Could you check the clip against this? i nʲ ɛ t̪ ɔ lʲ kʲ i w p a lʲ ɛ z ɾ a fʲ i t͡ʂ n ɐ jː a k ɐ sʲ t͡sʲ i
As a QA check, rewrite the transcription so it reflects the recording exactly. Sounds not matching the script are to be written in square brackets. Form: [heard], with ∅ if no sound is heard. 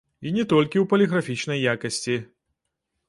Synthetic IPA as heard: i nʲ ɛ t̪ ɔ lʲ kʲ i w p [ɐ] lʲ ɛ [ɣ] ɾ a fʲ i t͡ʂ n ɐ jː a k ɐ sʲ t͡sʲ i